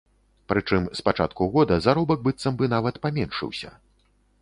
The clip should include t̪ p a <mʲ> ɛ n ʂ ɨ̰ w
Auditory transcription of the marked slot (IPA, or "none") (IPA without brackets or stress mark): mʲ